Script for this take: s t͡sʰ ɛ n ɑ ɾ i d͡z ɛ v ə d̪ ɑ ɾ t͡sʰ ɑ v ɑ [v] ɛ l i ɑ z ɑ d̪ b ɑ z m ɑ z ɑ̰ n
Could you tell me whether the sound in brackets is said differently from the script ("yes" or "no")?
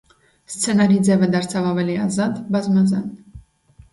no